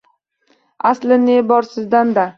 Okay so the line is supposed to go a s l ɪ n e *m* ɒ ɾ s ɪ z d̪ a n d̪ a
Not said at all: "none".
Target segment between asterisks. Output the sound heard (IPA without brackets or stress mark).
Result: b